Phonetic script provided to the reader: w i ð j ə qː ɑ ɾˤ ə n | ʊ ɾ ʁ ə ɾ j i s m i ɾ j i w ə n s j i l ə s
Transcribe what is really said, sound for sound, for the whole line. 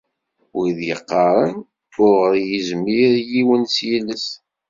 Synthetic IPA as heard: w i ð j ə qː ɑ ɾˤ ə n | ʊ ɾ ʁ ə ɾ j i z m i ɾ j i w ə n s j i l ə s